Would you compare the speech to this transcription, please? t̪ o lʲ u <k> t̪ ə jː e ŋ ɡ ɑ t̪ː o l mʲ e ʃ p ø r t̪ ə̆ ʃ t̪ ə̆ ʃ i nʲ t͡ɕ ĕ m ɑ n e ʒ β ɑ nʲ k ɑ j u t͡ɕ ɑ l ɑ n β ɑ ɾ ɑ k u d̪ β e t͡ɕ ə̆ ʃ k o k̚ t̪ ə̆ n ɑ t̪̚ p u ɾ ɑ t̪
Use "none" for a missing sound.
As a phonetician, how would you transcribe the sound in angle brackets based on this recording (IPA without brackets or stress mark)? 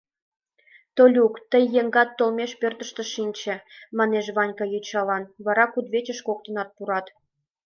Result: k